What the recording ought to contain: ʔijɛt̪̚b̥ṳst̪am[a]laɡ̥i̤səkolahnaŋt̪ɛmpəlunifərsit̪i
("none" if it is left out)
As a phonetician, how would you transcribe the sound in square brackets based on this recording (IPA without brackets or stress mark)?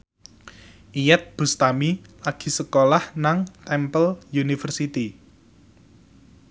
i